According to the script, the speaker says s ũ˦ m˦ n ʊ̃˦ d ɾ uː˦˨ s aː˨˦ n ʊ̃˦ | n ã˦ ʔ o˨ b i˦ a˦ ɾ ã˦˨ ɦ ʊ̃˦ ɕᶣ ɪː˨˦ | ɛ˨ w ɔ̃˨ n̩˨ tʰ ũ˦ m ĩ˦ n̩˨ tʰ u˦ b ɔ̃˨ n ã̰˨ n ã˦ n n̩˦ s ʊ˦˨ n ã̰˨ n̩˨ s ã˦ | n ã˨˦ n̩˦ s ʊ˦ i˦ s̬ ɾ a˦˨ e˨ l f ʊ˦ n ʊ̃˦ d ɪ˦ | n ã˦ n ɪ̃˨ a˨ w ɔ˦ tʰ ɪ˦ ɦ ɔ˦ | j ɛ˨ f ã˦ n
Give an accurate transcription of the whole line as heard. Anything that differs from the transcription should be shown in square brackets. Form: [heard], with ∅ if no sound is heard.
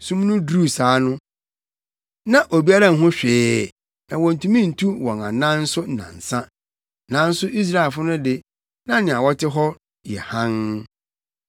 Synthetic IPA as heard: s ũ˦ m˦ n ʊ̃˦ d ɾ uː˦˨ s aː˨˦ n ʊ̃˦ | n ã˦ ʔ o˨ b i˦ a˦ ɾ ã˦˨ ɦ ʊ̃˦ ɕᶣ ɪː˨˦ | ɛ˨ w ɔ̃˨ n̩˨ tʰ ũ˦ m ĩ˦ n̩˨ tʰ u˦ [w] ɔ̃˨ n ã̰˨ n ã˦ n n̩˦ s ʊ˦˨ n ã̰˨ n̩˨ s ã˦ | n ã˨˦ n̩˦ s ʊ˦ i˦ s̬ ɾ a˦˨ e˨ l f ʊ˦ n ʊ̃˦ d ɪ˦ | n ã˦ n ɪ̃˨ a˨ w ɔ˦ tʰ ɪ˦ ɦ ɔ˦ | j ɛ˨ [h] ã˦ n